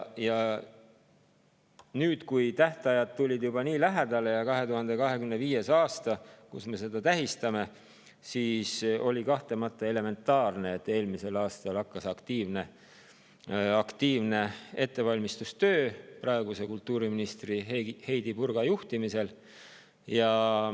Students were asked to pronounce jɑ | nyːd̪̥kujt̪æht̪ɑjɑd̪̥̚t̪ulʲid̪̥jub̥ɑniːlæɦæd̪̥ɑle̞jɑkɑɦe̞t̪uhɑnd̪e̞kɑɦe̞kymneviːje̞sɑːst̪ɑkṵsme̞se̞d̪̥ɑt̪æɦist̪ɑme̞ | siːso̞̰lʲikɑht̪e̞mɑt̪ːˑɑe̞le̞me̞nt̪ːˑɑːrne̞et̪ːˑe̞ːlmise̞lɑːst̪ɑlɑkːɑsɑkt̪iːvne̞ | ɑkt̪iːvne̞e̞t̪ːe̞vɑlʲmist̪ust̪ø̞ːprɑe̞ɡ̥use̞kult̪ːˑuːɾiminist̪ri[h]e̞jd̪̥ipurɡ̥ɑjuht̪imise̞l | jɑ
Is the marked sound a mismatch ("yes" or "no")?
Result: no